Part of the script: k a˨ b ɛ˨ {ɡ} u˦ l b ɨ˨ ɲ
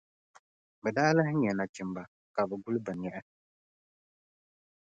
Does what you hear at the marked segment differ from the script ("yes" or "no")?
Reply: no